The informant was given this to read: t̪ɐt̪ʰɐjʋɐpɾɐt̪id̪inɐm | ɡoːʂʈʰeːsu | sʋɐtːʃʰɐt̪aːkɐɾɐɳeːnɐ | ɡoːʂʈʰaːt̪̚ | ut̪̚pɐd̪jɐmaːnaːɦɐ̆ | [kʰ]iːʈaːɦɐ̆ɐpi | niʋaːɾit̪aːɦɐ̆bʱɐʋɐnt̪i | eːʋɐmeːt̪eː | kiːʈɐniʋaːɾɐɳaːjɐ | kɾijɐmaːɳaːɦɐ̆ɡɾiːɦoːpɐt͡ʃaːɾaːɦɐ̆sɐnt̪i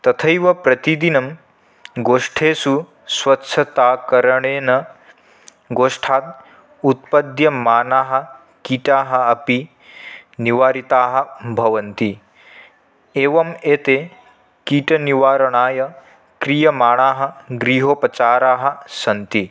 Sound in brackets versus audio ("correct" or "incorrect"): incorrect